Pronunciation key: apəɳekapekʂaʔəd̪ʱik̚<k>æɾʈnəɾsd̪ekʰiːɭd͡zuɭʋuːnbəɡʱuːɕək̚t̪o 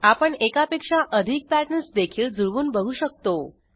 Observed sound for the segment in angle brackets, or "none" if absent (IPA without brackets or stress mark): p